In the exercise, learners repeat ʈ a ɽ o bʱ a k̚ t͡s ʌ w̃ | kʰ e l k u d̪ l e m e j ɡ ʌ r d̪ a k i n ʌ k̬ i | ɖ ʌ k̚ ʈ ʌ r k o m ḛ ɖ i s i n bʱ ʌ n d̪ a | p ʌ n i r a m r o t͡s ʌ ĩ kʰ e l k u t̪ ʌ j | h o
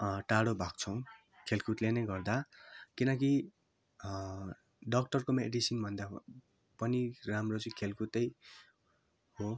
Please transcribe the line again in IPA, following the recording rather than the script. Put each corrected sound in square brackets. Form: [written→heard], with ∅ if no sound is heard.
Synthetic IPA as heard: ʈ a ɽ o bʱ a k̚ [t͡s→t͡sʰ] ʌ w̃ | kʰ e l k u [d̪→t̪] l e [m→n] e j ɡ ʌ r d̪ a k i n ʌ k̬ i | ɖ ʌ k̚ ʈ ʌ r k o m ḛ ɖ i s i n bʱ ʌ n d̪ a | p ʌ n i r a m r o t͡s ʌ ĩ kʰ e l k u t̪ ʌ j | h o